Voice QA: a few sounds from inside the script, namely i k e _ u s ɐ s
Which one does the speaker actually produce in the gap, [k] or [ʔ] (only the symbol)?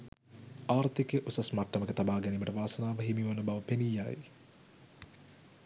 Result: ʔ